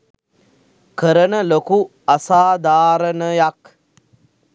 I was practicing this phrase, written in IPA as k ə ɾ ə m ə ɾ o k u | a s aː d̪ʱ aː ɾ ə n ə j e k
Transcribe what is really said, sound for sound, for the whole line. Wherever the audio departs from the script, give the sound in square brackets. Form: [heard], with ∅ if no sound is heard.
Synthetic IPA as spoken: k ə ɾ ə [n] ə [l] o k u | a s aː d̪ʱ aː ɾ ə n ə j [a] k